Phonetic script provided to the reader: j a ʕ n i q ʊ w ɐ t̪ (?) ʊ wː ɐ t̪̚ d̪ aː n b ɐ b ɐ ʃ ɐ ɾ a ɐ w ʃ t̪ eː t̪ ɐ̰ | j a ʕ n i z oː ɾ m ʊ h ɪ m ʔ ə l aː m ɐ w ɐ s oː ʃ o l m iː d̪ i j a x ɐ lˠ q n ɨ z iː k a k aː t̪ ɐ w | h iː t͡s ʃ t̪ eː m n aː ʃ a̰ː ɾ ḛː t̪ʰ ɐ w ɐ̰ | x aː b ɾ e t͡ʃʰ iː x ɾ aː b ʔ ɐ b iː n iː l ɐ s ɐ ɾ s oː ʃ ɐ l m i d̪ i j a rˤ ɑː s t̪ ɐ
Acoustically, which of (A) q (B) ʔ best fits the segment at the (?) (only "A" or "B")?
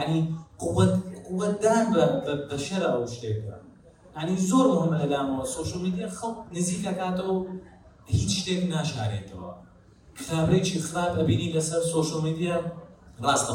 A